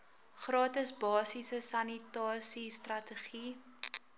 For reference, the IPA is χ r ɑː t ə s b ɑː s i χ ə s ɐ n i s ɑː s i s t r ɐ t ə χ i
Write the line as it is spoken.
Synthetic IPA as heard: χ r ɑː t ə s b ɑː s i s ə s ɐ n i t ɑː s i s t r ɐ t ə χ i

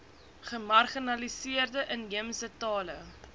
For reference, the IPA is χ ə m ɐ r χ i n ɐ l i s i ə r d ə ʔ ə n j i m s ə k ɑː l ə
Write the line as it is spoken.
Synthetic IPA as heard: χ ə m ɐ r χ i n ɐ l i s i ə r d ə ʔ ə n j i m s ə t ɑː l ə

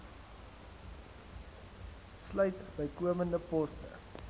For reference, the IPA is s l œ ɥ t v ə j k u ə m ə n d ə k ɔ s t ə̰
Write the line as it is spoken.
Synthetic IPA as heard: s l œ ɥ t b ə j k u ə m ə n d ə p ɔ s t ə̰

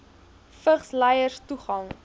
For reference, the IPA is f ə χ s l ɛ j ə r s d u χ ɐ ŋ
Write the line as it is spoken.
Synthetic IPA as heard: f ə χ s l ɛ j ə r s t u χ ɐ ŋ

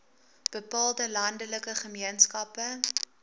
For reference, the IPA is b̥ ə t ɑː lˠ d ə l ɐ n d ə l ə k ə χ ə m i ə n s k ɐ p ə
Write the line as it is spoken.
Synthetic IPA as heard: b̥ ə p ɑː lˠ d ə l ɐ n d ə l ə k ə χ ə m i ə n s k ɐ p ə

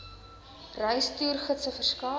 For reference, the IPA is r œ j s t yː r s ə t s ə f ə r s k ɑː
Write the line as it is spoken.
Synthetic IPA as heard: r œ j s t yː r χ ə t s ə f ə r s k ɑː

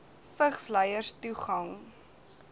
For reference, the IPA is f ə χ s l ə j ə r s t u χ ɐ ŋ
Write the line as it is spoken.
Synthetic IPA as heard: f ə χ s l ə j ə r s t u χ ɐ ŋ

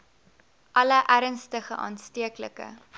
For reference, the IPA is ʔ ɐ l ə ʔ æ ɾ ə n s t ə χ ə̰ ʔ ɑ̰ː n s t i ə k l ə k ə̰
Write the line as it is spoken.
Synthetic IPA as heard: ʔ ɐ l ə ʔ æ ɾ ə n s t ə χ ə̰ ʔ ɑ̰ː n s t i ə k l ə k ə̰

